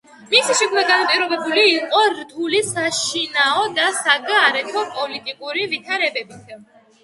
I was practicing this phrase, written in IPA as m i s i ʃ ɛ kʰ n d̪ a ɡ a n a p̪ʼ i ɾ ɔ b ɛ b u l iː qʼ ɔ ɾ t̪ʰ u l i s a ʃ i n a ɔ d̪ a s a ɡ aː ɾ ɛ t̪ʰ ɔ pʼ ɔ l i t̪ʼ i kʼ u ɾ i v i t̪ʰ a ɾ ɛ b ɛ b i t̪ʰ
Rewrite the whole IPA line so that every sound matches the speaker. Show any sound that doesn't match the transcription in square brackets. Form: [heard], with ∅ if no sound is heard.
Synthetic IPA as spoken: m i s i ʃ ɛ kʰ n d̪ a ɡ a n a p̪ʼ i ɾ ɔ b ɛ b u l iː qʼ ɔ ɾ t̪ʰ u l i s a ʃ i n a ɔ d̪ a s a ɡ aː ɾ ɛ t̪ʰ ɔ pʼ ɔ l i t̪ʼ i kʼ u ɾ i v i t̪ʰ a ɾ ɛ b ɛ b i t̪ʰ

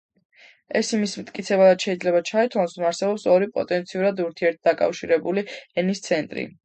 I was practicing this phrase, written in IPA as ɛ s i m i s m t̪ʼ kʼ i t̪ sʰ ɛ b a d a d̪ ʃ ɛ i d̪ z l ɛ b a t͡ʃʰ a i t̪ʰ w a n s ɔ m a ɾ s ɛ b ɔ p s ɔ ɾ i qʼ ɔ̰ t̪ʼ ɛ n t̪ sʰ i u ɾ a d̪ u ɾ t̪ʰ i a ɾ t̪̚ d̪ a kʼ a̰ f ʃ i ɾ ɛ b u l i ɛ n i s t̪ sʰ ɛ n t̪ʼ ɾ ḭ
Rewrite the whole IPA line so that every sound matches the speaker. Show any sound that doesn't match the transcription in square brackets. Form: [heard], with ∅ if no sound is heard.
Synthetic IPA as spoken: ɛ s i m i s m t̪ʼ kʼ i t̪ sʰ ɛ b a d a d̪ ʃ ɛ i d̪ z l ɛ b a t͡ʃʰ a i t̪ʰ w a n s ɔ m a ɾ s ɛ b ɔ p s ɔ ɾ i [pʼ] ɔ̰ t̪ʼ ɛ n t̪ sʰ i u ɾ a d̪ u ɾ t̪ʰ i [ɛ] ɾ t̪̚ d̪ a kʼ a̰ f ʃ i ɾ ɛ b u l i ɛ n i s t̪ sʰ ɛ n t̪ʼ ɾ ḭ

